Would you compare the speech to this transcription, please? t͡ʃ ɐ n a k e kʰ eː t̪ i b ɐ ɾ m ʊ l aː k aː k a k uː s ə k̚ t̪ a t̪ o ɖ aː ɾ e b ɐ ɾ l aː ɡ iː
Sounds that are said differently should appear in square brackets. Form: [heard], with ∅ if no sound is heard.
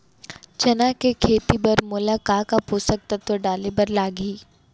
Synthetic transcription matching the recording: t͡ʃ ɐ n a k e kʰ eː t̪ i b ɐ ɾ m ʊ l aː k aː k a [p] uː s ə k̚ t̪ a t̪ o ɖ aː [l] e b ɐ ɾ l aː ɡ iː